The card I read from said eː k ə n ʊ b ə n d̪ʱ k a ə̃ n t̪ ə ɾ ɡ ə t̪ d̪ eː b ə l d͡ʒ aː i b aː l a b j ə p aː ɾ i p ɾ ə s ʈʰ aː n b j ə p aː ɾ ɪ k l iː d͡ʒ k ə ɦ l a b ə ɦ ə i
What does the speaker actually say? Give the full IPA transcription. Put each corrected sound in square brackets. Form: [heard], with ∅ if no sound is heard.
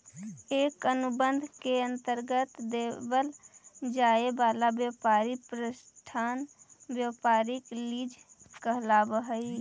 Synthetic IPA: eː k ə n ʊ b ə n d̪ʱ k [e] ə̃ n t̪ ə ɾ ɡ ə t̪ d̪ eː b ə l d͡ʒ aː [e] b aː l a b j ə p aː ɾ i p ɾ ə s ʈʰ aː n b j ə p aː ɾ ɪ k l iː d͡ʒ k ə ɦ l a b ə ɦ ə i